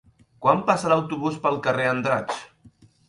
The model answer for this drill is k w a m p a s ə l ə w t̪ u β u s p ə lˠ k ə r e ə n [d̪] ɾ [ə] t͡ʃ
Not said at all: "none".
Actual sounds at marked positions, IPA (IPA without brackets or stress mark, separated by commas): d̪, a